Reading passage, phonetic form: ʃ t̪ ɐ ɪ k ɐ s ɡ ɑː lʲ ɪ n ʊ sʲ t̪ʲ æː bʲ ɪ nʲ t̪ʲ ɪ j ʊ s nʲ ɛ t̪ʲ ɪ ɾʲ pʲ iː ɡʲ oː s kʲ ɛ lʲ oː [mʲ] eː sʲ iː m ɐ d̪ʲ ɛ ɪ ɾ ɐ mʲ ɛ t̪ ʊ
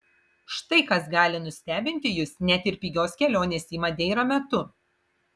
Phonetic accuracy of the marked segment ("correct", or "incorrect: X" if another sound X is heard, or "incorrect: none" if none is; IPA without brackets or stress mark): incorrect: nʲ